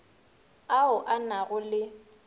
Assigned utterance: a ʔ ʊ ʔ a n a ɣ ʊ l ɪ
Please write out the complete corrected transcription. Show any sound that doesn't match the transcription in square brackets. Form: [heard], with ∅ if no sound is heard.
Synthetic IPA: a [∅] ʊ ʔ a n a ɣ ʊ l ɪ